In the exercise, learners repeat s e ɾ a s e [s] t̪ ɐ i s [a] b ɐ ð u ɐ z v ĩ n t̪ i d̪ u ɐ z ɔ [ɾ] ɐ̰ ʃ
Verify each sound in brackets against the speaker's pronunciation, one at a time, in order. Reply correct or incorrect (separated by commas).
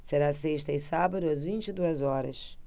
incorrect, correct, correct